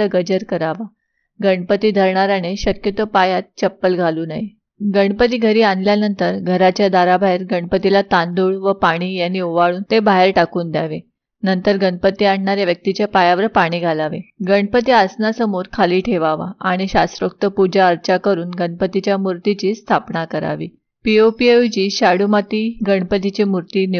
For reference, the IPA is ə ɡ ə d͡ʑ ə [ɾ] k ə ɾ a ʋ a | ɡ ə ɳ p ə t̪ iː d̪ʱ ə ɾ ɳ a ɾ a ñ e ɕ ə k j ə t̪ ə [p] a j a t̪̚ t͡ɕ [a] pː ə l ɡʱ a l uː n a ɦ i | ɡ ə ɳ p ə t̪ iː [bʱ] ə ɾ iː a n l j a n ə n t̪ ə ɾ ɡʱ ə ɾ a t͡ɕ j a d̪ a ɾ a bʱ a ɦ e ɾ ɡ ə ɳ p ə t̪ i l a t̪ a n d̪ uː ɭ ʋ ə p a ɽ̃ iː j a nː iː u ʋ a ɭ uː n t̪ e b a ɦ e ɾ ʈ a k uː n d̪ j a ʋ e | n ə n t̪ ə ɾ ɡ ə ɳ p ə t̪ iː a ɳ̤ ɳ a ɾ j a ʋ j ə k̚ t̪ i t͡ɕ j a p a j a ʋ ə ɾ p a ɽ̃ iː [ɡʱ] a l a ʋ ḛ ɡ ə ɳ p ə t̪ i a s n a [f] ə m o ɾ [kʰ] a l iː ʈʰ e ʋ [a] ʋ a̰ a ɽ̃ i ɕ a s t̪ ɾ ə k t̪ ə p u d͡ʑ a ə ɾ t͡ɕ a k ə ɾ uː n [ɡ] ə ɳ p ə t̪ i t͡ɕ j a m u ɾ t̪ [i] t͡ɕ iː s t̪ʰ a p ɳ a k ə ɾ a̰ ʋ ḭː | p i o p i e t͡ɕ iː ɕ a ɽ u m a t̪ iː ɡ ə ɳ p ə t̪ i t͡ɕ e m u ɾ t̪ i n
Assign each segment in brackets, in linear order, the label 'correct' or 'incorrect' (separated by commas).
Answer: correct, correct, incorrect, incorrect, correct, incorrect, correct, correct, correct, correct